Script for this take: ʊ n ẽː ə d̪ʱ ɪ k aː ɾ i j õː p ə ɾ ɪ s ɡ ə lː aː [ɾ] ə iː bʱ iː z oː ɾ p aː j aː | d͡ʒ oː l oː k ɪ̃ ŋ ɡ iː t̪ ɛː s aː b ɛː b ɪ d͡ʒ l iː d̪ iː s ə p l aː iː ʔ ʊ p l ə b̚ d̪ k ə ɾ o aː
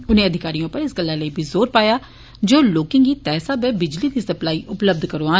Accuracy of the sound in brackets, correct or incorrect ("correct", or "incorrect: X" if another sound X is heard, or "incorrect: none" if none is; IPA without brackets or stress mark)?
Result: incorrect: l